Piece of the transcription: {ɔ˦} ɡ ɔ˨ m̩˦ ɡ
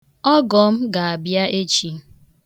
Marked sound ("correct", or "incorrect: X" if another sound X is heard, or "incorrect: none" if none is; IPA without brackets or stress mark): correct